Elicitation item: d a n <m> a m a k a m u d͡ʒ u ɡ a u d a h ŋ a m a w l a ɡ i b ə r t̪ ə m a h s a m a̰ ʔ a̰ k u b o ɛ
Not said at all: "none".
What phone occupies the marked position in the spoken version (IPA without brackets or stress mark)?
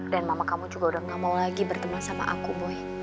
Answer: m